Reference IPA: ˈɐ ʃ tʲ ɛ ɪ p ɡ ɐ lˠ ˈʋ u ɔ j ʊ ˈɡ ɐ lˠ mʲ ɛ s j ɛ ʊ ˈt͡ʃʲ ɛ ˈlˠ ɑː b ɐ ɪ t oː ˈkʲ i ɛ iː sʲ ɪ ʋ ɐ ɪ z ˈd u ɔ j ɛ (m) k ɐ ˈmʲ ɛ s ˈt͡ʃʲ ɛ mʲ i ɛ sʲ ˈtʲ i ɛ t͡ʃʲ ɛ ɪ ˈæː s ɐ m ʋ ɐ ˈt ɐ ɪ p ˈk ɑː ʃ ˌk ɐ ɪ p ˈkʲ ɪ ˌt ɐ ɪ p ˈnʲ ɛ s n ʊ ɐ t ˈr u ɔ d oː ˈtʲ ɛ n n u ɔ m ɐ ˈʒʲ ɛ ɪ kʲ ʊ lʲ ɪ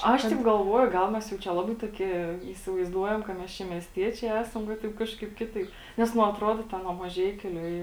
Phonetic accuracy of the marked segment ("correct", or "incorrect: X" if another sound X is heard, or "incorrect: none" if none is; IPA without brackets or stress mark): correct